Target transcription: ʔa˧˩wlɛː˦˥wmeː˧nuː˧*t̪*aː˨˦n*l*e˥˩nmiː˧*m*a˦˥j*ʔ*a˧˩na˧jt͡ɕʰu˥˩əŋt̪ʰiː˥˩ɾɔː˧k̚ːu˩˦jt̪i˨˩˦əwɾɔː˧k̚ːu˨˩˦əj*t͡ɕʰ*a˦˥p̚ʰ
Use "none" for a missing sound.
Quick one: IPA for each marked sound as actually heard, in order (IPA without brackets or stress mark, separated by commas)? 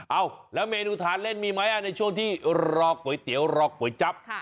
t̪ʰ, l, m, ʔ, t͡ɕ